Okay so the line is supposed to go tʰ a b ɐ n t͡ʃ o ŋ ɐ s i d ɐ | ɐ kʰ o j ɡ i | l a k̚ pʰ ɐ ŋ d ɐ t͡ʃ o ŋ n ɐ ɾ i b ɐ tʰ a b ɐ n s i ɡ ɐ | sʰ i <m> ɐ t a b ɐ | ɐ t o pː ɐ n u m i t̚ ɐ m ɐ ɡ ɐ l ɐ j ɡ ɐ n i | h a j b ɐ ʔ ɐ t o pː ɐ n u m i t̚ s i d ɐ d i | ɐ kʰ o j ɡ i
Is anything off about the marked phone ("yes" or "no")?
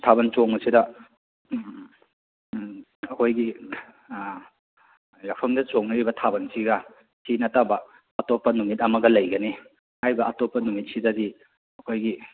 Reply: yes